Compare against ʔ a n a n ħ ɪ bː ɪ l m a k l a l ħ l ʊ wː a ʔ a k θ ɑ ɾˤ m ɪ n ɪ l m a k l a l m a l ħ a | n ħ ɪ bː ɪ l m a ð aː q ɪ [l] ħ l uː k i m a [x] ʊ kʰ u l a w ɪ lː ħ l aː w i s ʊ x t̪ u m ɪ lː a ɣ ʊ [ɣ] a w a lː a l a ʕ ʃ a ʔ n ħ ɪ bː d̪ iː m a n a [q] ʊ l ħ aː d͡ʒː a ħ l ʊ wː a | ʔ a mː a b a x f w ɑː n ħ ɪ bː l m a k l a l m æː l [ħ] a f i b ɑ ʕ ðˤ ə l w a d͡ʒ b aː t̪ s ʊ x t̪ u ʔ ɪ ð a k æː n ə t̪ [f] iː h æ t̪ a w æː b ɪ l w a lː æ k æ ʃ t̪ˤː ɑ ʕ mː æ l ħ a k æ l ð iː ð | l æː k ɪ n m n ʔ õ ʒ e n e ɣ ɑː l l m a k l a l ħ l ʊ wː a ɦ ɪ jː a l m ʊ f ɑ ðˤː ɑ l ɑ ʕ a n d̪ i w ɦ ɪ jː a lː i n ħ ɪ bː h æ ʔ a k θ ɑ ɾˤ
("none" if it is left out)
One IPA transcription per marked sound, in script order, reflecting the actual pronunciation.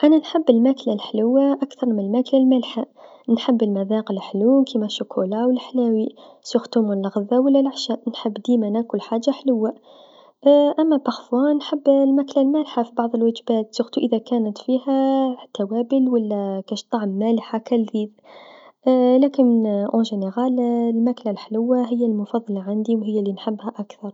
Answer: l, ʃ, ð, k, ħ, f

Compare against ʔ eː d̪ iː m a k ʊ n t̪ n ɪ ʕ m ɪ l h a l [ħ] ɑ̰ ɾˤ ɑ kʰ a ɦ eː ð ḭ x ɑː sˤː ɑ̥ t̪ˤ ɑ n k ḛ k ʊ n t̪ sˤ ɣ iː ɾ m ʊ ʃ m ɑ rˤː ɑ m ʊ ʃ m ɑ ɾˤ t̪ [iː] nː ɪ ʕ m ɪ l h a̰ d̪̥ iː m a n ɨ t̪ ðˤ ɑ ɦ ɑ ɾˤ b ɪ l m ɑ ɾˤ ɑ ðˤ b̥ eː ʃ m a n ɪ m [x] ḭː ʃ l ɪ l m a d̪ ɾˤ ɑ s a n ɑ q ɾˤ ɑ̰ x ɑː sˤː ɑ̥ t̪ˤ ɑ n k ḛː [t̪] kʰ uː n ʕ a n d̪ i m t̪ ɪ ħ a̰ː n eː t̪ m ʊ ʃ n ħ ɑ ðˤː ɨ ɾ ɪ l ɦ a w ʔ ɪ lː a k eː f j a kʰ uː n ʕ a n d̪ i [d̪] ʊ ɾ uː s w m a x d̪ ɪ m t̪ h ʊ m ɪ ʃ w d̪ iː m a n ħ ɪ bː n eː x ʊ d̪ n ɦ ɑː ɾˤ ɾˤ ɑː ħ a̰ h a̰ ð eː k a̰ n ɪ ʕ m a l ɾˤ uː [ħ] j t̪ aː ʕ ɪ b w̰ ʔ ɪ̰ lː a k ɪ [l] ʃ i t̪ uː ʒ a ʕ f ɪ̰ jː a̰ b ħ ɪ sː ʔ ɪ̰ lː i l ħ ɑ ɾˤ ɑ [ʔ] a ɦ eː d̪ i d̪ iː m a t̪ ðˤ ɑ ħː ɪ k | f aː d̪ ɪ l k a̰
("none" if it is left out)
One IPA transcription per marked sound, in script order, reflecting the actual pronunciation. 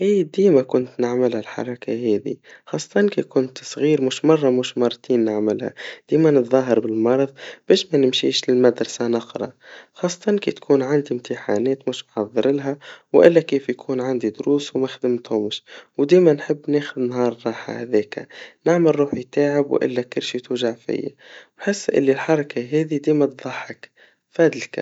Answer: ħ, iː, ʃ, t̪, d̪, ħ, ɾ, k

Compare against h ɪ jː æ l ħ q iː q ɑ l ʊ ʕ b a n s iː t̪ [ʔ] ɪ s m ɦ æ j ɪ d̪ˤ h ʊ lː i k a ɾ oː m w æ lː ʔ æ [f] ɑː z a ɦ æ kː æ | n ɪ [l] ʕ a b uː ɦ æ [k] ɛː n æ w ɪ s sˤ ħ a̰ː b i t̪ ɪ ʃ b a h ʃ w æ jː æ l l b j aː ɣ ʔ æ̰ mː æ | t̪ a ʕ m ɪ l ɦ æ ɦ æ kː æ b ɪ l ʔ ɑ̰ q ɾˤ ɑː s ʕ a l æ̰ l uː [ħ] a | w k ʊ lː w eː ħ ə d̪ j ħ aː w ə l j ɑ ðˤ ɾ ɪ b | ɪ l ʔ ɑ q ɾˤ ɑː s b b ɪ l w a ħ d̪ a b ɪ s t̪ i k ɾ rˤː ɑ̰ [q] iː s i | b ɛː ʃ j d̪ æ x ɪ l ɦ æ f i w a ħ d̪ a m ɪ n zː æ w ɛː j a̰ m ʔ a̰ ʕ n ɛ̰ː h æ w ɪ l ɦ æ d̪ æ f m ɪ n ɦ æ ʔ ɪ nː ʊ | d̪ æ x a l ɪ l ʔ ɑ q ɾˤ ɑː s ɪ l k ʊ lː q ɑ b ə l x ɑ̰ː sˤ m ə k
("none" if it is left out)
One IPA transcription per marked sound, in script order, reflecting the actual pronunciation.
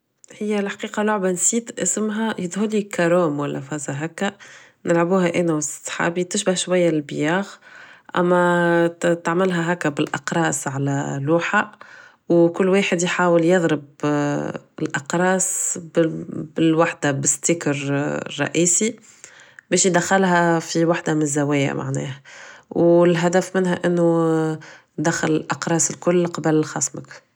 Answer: ʔ, f, l, ʔ, ħ, ʔ

